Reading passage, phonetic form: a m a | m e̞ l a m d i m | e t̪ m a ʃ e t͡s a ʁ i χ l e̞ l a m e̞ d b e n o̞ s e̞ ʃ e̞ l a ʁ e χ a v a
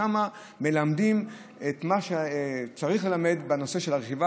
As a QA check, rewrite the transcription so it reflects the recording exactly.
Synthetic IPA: a m a | m e̞ l a m d i m | e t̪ m a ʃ e t͡s a ʁ i χ l e̞ l a m e̞ d b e n o̞ s e̞ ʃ e̞ l a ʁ e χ i v a